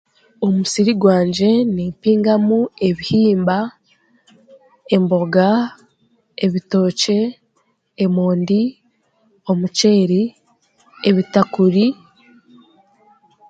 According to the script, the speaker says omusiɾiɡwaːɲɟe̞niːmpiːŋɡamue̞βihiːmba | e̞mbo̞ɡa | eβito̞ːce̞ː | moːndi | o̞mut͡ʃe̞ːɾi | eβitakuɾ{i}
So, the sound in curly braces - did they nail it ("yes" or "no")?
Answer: yes